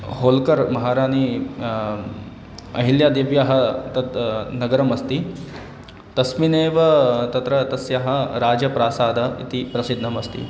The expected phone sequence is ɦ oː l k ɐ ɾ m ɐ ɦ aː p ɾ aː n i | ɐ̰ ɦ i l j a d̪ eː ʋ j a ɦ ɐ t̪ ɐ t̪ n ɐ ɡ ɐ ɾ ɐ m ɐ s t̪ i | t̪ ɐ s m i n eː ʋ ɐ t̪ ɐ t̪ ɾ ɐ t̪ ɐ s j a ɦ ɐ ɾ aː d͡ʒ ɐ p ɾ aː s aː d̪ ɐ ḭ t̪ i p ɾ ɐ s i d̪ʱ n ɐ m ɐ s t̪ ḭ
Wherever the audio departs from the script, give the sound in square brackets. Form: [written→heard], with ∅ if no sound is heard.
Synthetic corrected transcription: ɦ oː l k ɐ ɾ m ɐ ɦ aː [p→∅] ɾ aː n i | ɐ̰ ɦ i l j a d̪ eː ʋ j a ɦ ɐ t̪ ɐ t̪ n ɐ ɡ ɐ ɾ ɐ m ɐ s t̪ i | t̪ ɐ s m i n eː ʋ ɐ t̪ ɐ t̪ ɾ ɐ t̪ ɐ s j a ɦ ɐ ɾ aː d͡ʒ ɐ p ɾ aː s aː d̪ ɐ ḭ t̪ i p ɾ ɐ s i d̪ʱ n ɐ m ɐ s t̪ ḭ